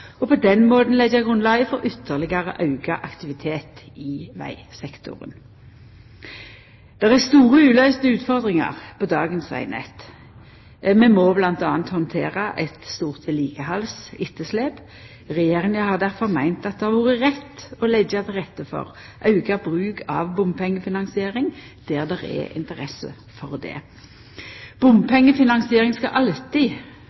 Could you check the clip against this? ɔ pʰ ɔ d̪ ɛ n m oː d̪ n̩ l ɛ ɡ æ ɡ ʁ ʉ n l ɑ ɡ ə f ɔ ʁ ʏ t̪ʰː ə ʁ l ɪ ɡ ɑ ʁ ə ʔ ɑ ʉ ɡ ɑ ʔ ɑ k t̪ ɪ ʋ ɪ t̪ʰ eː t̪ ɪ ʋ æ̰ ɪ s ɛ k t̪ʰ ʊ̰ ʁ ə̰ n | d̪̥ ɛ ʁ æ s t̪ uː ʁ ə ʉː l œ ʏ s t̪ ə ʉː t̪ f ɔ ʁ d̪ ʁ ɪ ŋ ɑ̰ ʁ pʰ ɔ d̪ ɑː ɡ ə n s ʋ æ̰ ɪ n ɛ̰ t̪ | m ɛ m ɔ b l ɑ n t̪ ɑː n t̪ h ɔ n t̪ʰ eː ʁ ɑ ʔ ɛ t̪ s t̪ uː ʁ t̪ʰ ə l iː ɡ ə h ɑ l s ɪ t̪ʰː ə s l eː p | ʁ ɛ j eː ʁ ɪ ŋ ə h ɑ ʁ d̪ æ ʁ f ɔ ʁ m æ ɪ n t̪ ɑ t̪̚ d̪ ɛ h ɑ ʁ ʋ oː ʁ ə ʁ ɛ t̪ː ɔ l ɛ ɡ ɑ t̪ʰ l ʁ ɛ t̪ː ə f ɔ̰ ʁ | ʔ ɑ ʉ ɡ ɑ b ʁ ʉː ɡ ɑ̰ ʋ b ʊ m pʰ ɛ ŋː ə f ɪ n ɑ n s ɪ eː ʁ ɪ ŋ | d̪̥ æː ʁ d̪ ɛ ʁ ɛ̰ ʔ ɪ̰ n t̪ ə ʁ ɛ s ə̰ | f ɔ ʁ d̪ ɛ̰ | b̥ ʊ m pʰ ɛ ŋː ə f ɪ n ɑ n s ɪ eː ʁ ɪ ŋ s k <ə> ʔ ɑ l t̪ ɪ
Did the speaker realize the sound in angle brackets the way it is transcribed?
no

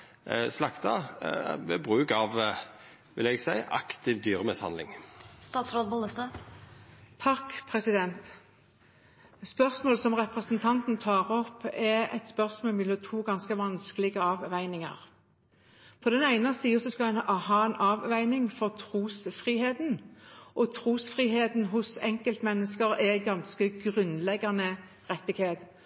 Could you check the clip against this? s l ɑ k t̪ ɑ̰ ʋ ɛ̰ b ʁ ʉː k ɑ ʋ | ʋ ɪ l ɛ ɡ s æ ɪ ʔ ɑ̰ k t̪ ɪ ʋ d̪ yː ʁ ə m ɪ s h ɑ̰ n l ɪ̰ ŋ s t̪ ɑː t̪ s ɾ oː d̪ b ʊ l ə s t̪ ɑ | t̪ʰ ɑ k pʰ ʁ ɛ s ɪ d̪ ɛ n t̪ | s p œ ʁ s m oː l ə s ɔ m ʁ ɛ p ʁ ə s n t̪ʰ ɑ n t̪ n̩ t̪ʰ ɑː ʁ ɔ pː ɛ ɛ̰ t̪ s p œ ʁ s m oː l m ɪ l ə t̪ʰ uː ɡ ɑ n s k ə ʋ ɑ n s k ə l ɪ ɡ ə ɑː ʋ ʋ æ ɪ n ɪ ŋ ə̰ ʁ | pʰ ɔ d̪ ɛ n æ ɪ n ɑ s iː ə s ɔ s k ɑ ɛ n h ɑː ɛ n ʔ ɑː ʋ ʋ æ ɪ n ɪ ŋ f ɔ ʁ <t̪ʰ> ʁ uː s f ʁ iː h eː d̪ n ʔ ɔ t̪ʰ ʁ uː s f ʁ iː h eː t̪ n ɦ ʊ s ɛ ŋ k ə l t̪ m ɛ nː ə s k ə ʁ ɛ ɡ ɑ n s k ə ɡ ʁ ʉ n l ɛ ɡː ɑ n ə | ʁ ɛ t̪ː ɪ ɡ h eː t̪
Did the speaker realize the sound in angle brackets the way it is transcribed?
yes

